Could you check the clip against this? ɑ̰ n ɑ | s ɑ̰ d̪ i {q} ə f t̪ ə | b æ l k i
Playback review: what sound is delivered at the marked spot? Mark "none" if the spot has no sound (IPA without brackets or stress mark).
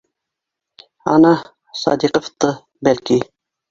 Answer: q